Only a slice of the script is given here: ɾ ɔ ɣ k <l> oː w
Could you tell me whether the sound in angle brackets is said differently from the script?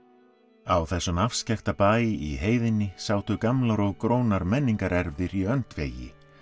yes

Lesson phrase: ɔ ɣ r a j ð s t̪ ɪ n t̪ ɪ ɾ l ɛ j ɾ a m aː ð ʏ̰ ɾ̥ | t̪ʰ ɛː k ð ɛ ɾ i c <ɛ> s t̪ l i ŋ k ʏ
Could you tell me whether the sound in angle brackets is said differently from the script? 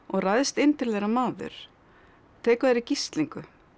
yes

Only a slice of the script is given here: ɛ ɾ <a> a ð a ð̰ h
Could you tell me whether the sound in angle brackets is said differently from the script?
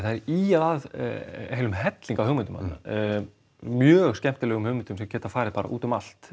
yes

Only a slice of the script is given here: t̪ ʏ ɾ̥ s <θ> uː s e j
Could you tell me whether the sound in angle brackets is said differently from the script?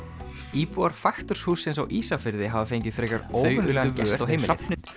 yes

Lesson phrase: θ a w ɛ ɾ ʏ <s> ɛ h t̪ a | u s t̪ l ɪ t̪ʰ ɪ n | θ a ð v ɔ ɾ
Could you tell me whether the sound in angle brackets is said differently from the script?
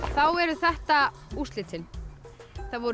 yes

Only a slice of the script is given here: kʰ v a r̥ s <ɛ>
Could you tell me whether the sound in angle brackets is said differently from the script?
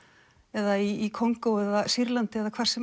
no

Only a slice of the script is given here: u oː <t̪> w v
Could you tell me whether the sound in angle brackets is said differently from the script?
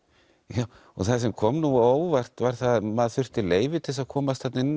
yes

